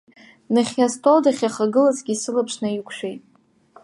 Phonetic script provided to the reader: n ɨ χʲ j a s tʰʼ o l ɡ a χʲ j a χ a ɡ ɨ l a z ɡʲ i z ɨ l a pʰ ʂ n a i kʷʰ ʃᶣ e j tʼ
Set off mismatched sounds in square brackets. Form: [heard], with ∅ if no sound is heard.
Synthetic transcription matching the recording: n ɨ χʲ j a s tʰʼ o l [d] a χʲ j a χ a ɡ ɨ l a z ɡʲ i [s] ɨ l a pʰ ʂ n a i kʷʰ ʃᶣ e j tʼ